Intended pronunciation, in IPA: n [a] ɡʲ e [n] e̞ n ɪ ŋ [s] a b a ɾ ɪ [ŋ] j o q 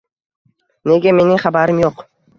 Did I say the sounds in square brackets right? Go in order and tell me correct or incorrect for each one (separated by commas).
incorrect, incorrect, incorrect, incorrect